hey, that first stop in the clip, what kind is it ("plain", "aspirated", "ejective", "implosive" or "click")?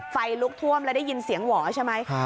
plain